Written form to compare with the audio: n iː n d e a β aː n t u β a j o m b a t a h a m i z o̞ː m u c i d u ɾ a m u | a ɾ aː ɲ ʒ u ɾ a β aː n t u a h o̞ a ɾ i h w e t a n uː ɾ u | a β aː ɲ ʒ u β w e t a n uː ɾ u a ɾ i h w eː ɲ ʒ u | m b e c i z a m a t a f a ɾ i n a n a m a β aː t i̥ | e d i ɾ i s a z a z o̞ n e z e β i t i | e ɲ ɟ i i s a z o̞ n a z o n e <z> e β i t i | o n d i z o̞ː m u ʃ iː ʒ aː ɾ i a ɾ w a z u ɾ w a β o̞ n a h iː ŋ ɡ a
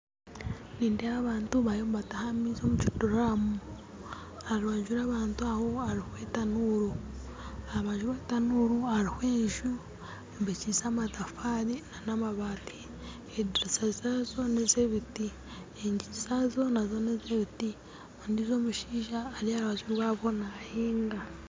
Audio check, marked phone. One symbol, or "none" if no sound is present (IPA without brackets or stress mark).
z